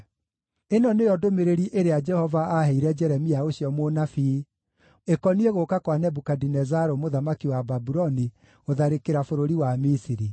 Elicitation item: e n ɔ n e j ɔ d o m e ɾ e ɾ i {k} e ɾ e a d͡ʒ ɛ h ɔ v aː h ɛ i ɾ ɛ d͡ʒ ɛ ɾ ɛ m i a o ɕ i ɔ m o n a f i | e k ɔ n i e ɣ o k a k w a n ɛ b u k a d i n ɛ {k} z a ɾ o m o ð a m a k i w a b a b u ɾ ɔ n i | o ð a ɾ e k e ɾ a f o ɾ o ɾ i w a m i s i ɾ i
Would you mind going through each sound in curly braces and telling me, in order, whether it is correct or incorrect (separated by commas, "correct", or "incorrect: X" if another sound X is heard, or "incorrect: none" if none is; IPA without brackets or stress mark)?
incorrect: ʔ, incorrect: none